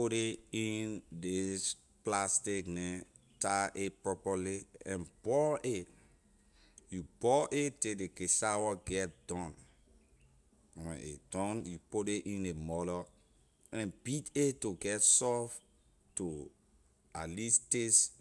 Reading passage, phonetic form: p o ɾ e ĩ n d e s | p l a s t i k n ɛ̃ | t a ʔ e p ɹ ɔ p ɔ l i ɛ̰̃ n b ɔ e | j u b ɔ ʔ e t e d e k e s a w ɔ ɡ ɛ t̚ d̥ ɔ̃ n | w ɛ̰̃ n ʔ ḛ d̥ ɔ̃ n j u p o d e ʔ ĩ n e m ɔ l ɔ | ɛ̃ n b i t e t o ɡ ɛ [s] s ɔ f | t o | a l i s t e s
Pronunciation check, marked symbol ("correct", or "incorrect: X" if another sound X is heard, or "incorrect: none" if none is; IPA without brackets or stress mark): incorrect: t